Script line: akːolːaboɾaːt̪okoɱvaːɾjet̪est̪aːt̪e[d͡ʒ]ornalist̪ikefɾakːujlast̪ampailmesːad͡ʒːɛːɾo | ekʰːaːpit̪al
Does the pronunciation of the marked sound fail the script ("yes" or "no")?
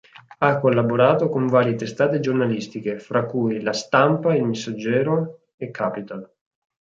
no